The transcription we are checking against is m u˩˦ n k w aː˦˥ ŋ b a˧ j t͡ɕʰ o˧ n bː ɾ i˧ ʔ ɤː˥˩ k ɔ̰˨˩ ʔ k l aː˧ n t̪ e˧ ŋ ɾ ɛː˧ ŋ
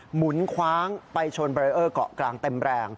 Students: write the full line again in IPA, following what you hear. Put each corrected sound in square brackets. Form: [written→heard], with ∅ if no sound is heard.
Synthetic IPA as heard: m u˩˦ n [k→kʰ] w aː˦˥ ŋ [b→p] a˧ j t͡ɕʰ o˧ n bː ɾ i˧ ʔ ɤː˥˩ k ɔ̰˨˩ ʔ k l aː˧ [n→ŋ] t̪ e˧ [ŋ→m] ɾ ɛː˧ ŋ